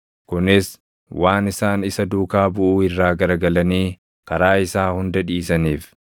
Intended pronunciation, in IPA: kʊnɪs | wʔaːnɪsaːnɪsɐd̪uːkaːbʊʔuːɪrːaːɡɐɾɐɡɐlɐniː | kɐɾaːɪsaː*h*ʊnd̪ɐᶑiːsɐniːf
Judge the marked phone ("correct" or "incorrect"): correct